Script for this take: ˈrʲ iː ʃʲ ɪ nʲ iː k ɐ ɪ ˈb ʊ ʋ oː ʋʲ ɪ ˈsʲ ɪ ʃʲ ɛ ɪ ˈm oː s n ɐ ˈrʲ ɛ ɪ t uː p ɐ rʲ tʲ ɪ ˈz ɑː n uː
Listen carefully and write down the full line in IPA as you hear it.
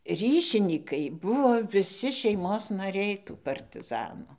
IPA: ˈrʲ iː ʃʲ ɪ nʲ iː k ɐ ɪ ˈb ʊ ʋ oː ʋʲ ɪ ˈsʲ ɪ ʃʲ ɛ ɪ ˈm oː s n ɐ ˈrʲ ɛ ɪ t uː p ɐ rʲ tʲ ɪ ˈz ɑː n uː